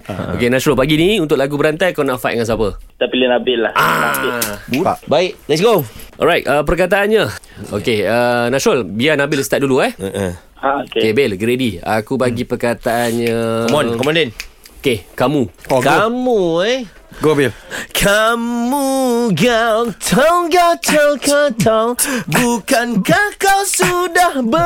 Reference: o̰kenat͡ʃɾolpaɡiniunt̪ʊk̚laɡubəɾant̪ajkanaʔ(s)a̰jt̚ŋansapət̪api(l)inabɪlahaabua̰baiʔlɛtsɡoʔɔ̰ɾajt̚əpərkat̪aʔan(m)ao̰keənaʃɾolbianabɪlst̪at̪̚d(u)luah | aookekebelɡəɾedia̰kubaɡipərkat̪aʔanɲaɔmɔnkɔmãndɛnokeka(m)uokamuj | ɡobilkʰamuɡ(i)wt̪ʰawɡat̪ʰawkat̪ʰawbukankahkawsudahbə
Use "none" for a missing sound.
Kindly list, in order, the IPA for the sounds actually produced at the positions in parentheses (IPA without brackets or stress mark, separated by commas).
f, l, ɲ, u, m, a